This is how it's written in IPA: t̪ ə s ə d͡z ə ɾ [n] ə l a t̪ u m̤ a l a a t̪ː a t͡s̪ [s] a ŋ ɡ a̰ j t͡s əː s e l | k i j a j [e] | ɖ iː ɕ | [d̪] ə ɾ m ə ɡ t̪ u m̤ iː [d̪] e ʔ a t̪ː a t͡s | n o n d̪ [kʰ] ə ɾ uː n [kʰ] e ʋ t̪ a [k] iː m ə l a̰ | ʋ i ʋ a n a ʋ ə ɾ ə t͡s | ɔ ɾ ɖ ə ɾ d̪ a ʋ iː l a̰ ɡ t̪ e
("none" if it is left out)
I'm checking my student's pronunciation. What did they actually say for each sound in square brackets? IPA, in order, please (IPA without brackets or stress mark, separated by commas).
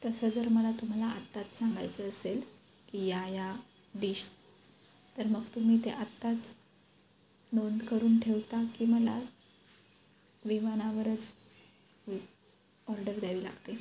m, s, a, t̪, t̪, k, ʈʰ, k